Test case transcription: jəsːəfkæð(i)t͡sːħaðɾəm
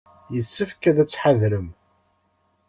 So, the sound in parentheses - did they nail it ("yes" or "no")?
no